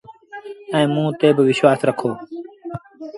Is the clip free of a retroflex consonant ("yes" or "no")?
yes